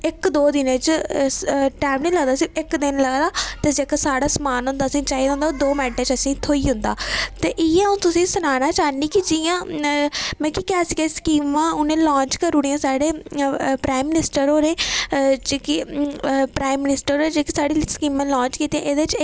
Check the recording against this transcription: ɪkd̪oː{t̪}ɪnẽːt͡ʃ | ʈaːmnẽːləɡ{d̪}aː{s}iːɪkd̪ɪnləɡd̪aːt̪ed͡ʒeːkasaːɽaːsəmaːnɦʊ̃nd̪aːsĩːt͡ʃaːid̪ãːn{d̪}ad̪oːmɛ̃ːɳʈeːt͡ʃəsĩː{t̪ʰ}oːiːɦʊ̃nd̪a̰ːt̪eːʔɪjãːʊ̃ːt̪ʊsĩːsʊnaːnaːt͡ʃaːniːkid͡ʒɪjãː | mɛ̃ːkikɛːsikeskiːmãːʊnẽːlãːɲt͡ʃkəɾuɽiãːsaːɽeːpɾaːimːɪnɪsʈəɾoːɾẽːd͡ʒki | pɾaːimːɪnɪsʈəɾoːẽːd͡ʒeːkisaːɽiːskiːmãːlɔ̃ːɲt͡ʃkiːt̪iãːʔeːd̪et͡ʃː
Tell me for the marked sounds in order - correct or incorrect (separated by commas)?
incorrect, correct, correct, correct, correct